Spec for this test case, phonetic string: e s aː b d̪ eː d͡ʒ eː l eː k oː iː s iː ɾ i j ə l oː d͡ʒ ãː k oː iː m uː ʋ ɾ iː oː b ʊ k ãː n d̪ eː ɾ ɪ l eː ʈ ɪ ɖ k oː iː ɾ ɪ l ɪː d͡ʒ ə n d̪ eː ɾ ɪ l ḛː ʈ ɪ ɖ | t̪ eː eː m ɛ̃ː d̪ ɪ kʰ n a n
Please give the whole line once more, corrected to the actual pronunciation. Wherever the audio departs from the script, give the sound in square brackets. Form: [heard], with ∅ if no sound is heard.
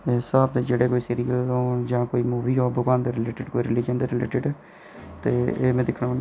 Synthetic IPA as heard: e s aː b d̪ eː d͡ʒ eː [ɽ] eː k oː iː s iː ɾ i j ə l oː d͡ʒ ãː k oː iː m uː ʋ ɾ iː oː b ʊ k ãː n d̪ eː ɾ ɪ l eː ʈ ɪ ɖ k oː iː ɾ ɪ l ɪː d͡ʒ ə n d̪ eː ɾ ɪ l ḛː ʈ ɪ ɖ | t̪ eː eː m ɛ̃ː d̪ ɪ kʰ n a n

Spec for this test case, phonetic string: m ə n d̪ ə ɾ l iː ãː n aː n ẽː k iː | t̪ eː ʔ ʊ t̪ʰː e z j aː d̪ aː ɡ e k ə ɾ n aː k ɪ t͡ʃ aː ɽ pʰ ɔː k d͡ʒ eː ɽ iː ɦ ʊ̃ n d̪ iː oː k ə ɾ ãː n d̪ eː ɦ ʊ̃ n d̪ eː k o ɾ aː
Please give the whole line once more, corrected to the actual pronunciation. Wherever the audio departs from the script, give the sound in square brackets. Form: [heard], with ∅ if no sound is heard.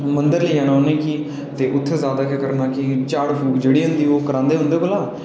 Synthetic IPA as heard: m ə n d̪ ə ɾ l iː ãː n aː n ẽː k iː | t̪ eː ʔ ʊ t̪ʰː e z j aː d̪ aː [k] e k ə ɾ n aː k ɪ t͡ʃ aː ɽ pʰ [uː] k d͡ʒ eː ɽ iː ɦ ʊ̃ n d̪ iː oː k ə ɾ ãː n d̪ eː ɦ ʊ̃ n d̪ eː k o [l] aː

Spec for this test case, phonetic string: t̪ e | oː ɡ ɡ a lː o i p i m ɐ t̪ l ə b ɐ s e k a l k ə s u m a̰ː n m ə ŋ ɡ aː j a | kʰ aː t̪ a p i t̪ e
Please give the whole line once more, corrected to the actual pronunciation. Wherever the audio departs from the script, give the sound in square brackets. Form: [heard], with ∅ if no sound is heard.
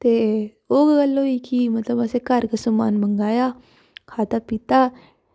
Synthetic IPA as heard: t̪ e | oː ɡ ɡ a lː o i [k] i m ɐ t̪ l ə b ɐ s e k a [ɾ] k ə s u m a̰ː n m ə ŋ ɡ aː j a | kʰ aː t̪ a p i t̪ [a]

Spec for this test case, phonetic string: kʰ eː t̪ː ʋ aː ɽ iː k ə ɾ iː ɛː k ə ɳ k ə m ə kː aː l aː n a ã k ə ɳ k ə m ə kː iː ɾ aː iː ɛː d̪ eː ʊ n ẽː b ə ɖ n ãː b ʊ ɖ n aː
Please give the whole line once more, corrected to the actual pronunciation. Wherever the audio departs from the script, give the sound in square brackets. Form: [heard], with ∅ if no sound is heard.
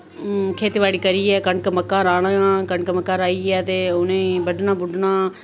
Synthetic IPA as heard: kʰ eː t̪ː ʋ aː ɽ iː k ə ɾ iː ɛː k ə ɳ k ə m ə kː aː [ɾ] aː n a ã k ə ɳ k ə m ə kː [aː] ɾ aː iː ɛː [t̪] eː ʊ n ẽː b ə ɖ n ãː b ʊ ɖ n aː

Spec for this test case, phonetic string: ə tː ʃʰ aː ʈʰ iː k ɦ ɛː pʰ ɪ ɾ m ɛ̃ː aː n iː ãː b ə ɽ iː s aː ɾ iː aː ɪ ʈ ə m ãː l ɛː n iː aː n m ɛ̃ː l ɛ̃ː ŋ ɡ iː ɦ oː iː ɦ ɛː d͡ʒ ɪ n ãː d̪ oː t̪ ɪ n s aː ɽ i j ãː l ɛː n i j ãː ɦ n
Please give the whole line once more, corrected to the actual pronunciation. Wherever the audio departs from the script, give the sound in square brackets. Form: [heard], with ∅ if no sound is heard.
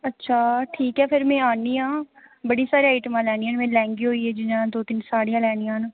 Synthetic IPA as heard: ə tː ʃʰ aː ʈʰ iː k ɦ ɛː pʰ ɪ ɾ m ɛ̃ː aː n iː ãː b ə ɽ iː s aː ɾ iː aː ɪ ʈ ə m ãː l ɛː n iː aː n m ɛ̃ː l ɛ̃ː ŋ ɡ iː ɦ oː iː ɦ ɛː d͡ʒ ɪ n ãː d̪ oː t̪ ɪ n s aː ɽ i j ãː l ɛː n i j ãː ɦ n

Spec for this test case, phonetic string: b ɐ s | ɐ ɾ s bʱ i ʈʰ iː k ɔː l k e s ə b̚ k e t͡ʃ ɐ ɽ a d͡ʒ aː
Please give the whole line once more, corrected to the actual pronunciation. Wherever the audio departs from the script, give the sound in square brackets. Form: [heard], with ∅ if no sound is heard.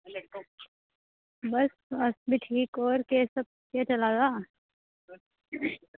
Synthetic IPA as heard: b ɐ s | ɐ [∅] s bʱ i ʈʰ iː k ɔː [ɾ] k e s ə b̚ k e t͡ʃ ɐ [l] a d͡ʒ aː

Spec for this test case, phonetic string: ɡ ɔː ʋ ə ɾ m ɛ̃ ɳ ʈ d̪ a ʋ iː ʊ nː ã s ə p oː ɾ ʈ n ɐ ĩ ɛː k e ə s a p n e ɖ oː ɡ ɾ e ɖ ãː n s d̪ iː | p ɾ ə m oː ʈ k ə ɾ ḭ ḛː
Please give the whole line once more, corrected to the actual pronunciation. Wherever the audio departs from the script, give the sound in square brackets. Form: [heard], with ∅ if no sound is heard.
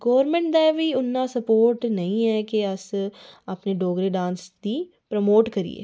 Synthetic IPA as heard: ɡ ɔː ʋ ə ɾ m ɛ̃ ɳ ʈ d̪ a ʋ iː ʊ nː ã s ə p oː ɾ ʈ n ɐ ĩ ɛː k e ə s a p n e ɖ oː ɡ ɾ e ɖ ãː n s d̪ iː | p ɾ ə m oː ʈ k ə ɾ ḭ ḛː

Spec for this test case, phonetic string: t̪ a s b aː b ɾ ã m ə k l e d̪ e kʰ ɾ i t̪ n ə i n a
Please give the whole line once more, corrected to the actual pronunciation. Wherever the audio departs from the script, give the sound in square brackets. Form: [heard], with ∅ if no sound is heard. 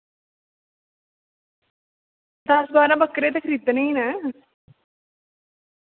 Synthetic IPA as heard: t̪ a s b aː [∅] ɾ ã [b] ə k [ɾ] e [t̪] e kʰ ɾ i t̪ n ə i n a

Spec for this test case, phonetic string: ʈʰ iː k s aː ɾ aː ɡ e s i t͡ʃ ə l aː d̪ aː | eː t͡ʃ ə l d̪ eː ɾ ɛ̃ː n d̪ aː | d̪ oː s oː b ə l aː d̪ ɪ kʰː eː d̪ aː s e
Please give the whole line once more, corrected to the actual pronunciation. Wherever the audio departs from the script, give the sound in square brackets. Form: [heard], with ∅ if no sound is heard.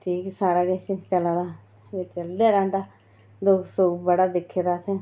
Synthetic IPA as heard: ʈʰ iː k s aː ɾ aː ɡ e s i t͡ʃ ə l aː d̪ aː | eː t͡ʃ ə l d̪ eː ɾ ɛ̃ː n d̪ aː | d̪ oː s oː b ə [ɽ] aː d̪ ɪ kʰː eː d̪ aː s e

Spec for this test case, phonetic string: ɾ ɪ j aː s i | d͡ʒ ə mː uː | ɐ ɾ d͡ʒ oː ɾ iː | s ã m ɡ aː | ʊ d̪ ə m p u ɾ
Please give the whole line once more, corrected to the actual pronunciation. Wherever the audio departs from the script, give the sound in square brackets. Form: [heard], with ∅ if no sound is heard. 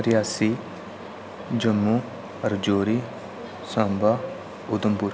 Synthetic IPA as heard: ɾ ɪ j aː s i | d͡ʒ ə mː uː | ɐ ɾ d͡ʒ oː ɾ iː | s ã m [b] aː | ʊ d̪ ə m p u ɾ

